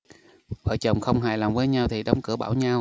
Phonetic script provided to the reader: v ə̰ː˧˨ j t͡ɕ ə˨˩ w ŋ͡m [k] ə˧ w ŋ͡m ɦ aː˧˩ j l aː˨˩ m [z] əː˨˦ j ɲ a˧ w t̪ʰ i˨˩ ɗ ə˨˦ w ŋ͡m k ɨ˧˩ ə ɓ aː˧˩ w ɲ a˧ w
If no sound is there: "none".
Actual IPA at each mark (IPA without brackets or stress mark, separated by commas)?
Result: x, v